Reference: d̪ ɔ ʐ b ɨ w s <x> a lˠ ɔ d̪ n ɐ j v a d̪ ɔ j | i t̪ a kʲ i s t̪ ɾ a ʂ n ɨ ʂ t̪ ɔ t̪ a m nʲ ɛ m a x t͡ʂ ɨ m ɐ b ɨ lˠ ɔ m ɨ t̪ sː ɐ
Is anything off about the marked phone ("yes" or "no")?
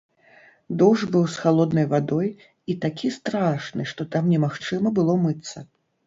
no